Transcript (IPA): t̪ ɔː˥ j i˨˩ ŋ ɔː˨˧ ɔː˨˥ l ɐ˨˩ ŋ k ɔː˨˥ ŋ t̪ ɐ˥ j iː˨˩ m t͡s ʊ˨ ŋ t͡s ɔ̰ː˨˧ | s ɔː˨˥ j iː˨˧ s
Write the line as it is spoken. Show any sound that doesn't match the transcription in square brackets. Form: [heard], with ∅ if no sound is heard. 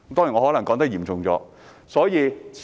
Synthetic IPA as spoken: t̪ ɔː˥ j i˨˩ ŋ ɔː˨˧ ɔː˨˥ l ɐ˨˩ ŋ k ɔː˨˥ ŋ t̪ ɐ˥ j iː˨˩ m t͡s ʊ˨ ŋ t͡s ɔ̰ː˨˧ | s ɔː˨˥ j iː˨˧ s